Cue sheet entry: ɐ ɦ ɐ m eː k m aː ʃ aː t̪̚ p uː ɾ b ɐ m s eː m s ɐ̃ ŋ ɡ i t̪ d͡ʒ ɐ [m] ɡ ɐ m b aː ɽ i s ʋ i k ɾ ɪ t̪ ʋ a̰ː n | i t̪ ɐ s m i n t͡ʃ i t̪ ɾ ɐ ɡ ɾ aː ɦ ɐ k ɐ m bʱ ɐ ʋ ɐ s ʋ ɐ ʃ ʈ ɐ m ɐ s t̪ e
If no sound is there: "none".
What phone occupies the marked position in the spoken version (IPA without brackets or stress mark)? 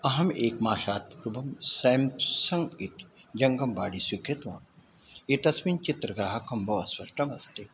ŋ